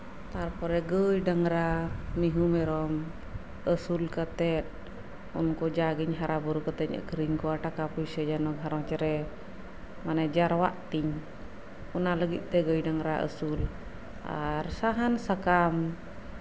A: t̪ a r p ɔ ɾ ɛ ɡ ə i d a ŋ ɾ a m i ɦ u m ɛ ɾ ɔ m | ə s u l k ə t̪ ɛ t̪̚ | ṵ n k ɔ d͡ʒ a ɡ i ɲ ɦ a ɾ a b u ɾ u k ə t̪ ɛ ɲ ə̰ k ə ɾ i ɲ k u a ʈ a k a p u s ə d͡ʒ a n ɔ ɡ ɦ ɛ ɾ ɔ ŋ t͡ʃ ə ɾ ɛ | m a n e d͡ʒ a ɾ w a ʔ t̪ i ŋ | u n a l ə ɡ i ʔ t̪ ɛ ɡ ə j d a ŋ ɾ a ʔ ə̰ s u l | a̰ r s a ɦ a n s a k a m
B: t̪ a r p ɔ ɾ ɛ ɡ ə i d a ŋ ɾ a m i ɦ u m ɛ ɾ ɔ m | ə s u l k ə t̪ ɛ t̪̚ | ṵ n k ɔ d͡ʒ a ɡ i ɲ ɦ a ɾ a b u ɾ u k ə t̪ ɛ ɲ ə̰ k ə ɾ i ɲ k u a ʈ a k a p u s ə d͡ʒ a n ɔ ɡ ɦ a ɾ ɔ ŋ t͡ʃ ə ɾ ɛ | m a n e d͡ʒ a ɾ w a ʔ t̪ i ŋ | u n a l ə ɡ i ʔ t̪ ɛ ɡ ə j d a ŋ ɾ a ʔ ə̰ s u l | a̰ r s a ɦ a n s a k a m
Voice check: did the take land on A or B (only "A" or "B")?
B